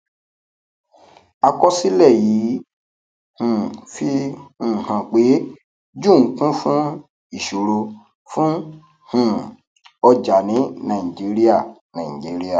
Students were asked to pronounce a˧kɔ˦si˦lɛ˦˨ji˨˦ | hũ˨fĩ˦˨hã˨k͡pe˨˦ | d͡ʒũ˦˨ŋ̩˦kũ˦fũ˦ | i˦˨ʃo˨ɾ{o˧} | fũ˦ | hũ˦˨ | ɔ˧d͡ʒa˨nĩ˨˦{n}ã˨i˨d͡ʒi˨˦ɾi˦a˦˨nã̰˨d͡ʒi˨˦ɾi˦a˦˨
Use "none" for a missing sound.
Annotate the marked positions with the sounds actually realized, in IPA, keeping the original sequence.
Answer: o˧, n

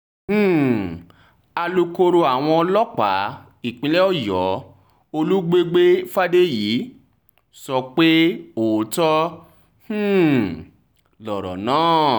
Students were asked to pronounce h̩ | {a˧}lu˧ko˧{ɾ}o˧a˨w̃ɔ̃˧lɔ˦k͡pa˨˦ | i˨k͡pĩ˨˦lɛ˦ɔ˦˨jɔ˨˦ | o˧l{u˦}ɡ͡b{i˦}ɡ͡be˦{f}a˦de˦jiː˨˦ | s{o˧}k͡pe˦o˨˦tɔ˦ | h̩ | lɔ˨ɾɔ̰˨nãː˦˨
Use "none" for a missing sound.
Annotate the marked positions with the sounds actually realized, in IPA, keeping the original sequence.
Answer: a˧, ɾ, u˦, e˦, f, ɔ˧

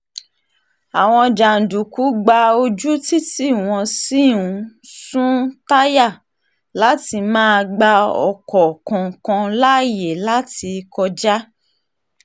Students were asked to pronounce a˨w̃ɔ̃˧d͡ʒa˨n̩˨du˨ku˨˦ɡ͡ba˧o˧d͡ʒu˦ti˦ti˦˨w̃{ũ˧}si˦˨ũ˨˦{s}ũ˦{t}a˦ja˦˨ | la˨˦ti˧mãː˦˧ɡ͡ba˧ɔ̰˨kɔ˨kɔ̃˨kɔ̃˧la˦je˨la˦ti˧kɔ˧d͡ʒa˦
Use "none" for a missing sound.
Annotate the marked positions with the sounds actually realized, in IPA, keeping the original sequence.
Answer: ɔ̃˧, s, t

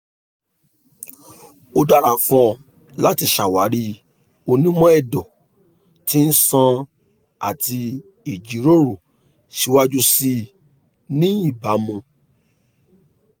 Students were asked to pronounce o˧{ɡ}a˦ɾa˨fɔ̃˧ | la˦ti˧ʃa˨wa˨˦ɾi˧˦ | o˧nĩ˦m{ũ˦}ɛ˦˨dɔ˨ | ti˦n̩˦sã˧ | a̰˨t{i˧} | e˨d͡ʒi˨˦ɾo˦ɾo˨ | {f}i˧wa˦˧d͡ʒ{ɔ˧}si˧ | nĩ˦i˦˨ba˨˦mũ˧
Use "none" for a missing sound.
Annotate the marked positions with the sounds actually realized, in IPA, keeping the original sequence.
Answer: d, ɔ̃˦, i˧, ʃ, u˧

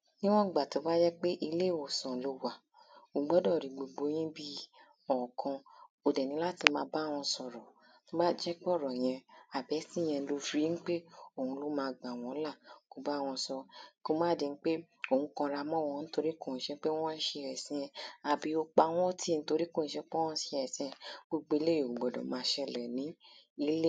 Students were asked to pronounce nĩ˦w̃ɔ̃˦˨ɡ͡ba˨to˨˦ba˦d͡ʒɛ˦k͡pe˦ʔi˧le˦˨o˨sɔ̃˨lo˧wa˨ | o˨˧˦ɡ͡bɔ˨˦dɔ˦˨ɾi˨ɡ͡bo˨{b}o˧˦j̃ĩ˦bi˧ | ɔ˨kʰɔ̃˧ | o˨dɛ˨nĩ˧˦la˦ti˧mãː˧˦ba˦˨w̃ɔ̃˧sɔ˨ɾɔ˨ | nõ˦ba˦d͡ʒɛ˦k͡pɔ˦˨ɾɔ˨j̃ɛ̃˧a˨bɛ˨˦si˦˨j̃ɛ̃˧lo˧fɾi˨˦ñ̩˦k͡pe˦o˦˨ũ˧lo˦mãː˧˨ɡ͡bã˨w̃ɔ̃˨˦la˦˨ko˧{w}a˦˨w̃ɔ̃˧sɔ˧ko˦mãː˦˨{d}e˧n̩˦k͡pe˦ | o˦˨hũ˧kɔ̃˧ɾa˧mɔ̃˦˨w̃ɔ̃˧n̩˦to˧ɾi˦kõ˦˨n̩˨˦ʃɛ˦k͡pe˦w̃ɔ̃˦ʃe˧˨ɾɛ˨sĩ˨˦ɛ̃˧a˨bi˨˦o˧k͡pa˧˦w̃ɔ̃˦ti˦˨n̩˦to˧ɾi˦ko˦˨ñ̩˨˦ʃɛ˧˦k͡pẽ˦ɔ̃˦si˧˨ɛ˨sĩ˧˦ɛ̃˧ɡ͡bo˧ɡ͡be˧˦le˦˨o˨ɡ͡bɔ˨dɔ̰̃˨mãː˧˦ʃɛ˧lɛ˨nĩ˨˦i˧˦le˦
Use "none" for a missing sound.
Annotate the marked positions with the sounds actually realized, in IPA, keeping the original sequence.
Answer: ɡ͡b, b, d

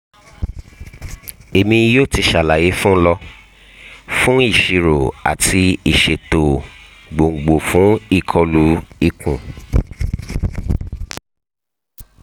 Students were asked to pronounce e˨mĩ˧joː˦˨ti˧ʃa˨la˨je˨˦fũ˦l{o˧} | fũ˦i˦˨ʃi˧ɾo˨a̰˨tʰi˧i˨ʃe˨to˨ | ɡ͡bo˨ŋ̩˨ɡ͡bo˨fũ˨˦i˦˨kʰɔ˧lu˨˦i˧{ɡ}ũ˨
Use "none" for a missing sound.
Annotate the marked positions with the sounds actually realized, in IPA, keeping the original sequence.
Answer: ɔ˧, k

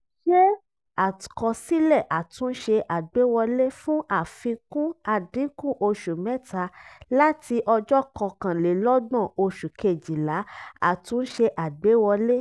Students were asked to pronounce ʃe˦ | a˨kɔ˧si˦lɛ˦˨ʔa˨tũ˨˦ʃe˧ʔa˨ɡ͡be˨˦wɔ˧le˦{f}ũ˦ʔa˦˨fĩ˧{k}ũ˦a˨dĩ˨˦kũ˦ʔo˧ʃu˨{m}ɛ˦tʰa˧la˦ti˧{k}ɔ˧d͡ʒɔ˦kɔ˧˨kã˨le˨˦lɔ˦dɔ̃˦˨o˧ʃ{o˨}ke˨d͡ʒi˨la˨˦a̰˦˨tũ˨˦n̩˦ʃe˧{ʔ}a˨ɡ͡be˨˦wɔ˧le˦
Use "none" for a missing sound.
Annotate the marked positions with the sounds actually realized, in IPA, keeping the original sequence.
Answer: f, k, m, ʔ, u˨, ʔ

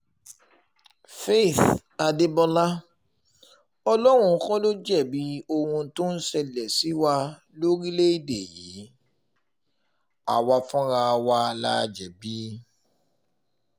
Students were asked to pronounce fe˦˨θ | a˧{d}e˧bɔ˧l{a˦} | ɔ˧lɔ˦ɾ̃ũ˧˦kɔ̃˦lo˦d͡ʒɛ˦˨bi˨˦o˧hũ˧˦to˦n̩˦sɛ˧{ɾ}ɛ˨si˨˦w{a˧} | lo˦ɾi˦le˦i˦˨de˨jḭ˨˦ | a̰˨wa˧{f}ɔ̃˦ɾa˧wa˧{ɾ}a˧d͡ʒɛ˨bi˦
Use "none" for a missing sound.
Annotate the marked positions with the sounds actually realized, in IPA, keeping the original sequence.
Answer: d, a˦, l, a˧, f, l

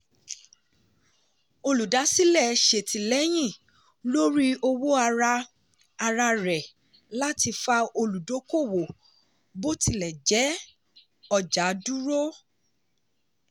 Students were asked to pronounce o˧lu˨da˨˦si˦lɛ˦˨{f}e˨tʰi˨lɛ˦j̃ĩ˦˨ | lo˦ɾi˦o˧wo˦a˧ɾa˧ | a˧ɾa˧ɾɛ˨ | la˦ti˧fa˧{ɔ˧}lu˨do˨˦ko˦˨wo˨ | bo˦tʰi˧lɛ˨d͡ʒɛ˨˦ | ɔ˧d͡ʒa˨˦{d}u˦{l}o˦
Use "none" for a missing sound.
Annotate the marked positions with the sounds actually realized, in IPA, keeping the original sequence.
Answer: ʃ, o˧, d, ɾ

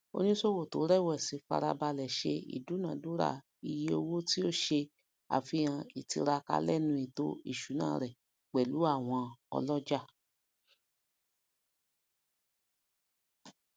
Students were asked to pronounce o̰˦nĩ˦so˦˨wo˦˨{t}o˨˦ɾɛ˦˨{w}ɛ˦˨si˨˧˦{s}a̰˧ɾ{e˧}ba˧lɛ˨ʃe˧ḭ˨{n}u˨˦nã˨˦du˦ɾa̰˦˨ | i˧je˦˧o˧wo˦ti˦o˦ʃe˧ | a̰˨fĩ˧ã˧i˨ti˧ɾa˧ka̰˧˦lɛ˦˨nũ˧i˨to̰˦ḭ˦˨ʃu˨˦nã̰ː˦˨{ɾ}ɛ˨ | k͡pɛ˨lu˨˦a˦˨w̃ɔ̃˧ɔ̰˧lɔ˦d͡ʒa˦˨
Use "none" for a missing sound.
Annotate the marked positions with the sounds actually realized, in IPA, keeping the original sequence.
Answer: t, w, f, a˧, d, ɾ

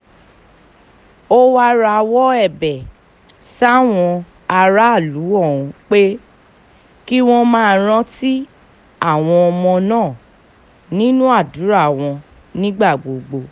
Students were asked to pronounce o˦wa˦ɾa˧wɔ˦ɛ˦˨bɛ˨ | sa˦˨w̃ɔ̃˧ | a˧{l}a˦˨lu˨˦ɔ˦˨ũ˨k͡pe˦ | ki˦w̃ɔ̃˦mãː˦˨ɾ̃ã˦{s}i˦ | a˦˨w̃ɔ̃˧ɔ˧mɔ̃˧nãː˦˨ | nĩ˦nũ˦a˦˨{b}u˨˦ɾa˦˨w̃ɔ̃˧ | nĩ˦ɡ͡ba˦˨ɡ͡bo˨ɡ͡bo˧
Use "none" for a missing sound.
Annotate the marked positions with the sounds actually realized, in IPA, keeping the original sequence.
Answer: ɾ, t, d

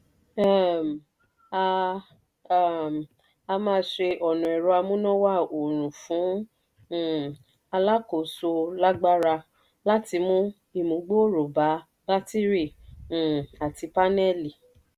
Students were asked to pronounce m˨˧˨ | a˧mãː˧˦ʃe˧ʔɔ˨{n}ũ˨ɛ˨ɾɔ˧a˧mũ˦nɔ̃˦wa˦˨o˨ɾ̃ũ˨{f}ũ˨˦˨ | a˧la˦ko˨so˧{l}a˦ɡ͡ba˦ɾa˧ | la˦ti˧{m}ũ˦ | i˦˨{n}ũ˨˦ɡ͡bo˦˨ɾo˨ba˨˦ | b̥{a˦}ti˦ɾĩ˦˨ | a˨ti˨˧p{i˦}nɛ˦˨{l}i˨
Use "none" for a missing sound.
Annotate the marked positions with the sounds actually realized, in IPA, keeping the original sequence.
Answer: n, f, l, m, m, a˦, a˦, l

